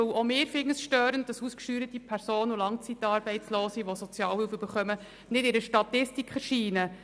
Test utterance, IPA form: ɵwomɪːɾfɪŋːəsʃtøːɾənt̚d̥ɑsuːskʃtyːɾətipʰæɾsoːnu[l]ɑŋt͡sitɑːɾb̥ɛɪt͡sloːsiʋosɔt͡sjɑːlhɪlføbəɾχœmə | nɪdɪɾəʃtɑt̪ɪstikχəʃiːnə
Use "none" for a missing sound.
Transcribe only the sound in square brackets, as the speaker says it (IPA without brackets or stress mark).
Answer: l